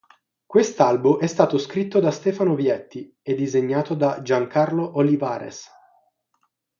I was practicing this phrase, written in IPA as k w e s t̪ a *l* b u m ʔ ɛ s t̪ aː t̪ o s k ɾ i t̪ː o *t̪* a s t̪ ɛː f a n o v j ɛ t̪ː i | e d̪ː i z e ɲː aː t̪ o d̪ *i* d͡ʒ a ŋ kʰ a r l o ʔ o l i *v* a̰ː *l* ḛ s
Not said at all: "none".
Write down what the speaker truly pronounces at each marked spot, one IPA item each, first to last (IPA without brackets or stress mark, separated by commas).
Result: l, d̪, a, v, ɾ